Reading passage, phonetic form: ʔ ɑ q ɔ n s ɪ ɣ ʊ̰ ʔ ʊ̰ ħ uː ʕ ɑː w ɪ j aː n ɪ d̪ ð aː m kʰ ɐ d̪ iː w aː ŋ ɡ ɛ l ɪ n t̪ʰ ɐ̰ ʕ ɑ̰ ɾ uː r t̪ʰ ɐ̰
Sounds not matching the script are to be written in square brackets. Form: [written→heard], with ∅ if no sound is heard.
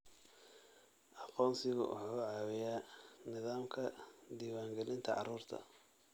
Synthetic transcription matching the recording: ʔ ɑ q [ɔ→ɔː] n s ɪ ɣ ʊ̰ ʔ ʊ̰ ħ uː ʕ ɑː w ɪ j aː n ɪ [d̪→∅] ð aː m kʰ ɐ d̪ iː w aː ŋ ɡ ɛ l ɪ n t̪ʰ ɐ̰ ʕ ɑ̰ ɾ uː r t̪ʰ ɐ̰

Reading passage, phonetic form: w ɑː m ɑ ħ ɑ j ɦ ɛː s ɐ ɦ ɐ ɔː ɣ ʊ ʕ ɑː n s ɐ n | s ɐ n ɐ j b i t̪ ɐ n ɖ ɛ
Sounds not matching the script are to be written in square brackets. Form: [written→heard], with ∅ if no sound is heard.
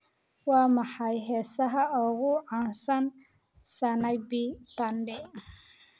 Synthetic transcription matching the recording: w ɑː m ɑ ħ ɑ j ɦ ɛː s ɐ ɦ ɐ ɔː ɣ ʊ ʕ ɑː n s ɐ n | s ɐ n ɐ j b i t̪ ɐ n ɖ ɛ

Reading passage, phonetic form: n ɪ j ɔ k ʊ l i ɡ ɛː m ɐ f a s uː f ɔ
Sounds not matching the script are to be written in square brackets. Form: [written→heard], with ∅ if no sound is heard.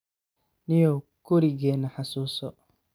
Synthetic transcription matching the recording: n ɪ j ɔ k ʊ [l→ɾ] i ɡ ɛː [m→n] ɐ [f→ħ] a s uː [f→s] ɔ

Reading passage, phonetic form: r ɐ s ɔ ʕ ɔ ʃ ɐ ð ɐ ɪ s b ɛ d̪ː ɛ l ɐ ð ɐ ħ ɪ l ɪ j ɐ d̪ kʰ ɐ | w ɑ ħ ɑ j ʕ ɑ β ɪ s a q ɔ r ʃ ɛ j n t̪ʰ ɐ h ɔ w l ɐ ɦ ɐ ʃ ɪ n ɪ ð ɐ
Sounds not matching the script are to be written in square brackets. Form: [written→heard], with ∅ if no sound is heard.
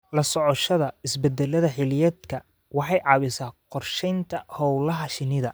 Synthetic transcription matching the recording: [r→l] ɐ s ɔ ʕ ɔ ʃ ɐ ð ɐ ɪ s b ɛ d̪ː ɛ l ɐ ð ɐ ħ ɪ l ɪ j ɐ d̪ kʰ ɐ | w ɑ ħ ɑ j ʕ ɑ β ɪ s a q ɔ r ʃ ɛ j n t̪ʰ ɐ h ɔ w l ɐ ɦ ɐ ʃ ɪ n ɪ ð ɐ

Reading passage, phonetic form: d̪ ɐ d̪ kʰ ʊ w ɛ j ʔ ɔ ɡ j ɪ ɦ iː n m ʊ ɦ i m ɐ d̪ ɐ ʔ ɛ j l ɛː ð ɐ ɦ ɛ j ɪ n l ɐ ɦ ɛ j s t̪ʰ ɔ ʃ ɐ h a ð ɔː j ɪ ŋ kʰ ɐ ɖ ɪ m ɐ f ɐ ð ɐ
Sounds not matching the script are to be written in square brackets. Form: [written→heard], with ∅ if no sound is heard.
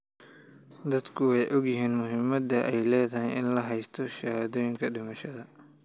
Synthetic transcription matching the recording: d̪ ɐ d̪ kʰ ʊ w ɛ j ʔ ɔ ɡ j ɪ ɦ iː n m ʊ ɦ [i→ɪ] m ɐ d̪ ɐ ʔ ɛ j l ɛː ð ɐ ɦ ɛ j ɪ n l ɐ ɦ ɛ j s t̪ʰ ɔ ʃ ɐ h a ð ɔː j ɪ ŋ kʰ ɐ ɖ ɪ m ɐ [f→ʃ] ɐ ð ɐ

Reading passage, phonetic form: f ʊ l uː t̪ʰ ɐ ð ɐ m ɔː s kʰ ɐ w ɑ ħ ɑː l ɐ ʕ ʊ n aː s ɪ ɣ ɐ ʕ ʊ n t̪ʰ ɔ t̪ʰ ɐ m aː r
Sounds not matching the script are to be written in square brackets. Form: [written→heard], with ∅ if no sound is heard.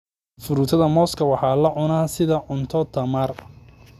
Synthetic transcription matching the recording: f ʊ [l→ɾ] uː t̪ʰ ɐ ð ɐ m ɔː s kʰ ɐ w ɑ ħ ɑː l ɐ ʕ ʊ n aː s ɪ [ɣ→ð] ɐ ʕ ʊ n t̪ʰ ɔ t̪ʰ ɐ m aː r

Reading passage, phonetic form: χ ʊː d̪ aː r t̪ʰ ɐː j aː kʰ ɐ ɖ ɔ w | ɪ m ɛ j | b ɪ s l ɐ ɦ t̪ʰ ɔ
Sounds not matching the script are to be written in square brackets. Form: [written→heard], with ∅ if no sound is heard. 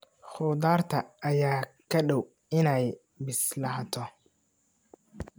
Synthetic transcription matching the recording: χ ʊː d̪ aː r t̪ʰ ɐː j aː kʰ ɐ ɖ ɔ w | ɪ [m→n] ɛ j | b ɪ s l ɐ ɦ t̪ʰ ɔ

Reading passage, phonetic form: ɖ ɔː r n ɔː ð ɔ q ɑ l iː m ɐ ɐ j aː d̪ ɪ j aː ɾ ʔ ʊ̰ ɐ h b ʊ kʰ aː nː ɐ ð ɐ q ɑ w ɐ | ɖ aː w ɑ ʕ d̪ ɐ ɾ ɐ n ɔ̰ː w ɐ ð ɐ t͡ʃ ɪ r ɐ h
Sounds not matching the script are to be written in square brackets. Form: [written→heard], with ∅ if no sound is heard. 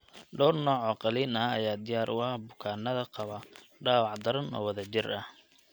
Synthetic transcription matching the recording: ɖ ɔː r n ɔː [ð→ʕ] ɔ q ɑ l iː [m→n] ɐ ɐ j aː d̪ ɪ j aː ɾ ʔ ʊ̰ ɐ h b ʊ kʰ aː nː ɐ ð ɐ q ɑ [w→β] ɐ | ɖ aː w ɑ ʕ d̪ ɐ ɾ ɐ n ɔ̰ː w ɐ ð ɐ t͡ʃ ɪ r ɐ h

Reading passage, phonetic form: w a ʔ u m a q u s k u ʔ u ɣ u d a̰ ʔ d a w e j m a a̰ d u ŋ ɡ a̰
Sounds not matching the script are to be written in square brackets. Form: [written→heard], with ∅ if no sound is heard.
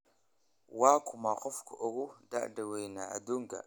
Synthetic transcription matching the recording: w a [ʔ→k] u m a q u [s→f] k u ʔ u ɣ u d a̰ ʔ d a w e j [m→n] a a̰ d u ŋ ɡ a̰

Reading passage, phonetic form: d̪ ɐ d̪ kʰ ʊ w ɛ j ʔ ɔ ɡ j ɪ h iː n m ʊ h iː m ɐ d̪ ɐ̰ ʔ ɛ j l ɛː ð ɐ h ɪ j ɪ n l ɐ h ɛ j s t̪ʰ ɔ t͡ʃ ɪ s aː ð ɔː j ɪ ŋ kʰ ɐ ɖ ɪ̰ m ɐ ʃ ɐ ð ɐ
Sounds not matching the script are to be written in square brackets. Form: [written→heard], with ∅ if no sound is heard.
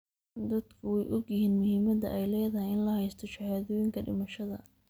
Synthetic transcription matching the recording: d̪ ɐ d̪ kʰ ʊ w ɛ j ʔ ɔ ɡ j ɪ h iː n m ʊ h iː m ɐ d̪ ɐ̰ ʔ ɛ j l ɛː ð ɐ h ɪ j ɪ n l ɐ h ɛ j s t̪ʰ ɔ t͡ʃ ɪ [s→h] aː ð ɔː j ɪ ŋ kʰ ɐ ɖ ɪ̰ m ɐ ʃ ɐ ð ɐ

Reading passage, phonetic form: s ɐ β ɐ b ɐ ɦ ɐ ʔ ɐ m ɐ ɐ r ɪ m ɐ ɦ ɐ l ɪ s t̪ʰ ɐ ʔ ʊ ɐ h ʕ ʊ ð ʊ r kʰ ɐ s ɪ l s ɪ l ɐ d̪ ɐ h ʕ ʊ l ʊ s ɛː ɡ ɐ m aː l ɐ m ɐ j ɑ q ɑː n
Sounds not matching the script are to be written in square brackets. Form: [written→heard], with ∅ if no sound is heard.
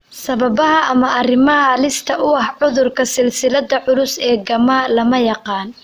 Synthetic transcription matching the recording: s ɐ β ɐ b ɐ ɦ ɐ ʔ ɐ m ɐ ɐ r ɪ m ɐ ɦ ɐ l ɪ s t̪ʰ ɐ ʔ ʊ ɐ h ʕ ʊ ð ʊ r kʰ ɐ s ɪ l s ɪ l ɐ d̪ ɐ [h→∅] ʕ ʊ l ʊ s ɛː ɡ ɐ m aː l ɐ m ɐ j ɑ q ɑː n

